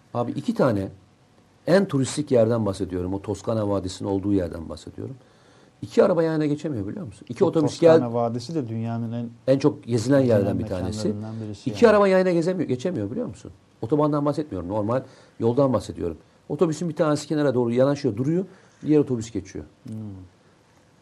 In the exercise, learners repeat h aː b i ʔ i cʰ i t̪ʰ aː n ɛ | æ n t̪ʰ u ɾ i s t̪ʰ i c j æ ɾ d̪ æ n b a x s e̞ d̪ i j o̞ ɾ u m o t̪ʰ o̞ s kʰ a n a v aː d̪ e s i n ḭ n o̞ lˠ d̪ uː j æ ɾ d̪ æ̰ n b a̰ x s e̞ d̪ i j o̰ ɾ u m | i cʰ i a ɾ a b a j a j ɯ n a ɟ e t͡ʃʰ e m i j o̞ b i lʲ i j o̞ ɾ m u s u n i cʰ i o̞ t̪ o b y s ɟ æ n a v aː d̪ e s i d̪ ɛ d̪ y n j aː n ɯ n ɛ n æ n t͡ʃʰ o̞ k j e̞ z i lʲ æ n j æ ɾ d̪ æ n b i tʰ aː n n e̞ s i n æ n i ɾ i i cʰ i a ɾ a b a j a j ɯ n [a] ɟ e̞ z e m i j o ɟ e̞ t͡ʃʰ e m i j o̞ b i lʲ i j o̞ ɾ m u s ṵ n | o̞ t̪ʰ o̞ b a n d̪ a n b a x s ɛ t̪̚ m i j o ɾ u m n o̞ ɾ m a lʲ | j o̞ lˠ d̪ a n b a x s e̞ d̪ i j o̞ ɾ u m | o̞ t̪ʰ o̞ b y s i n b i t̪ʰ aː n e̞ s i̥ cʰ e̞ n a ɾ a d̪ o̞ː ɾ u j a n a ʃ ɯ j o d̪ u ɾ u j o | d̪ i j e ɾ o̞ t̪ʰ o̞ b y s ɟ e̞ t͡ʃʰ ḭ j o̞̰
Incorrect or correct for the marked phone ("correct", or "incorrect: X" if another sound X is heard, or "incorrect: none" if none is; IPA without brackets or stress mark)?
correct